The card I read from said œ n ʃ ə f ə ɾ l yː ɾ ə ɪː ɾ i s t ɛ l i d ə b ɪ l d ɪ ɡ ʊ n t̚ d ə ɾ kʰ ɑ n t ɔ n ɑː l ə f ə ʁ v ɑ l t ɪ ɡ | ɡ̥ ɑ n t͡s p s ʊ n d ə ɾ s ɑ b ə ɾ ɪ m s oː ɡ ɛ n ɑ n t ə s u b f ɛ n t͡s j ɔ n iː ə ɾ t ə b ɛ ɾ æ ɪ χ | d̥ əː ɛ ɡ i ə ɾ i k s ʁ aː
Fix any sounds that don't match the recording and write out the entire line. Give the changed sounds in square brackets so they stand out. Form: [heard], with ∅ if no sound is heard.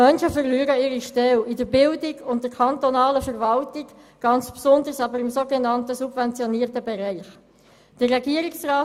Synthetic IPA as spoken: œ n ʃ ə f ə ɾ l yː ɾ ə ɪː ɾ i [ʃ] t ɛ l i d ə b ɪ l d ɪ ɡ ʊ n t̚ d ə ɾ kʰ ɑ n t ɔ n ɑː l ə f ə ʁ v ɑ l t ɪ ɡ | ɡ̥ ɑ n t͡s p s ʊ n d ə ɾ s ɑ b ə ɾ ɪ m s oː ɡ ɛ n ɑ n t ə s u b [v] ɛ n t͡s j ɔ n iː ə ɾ t ə b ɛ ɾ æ ɪ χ | d̥ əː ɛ ɡ i ə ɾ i k s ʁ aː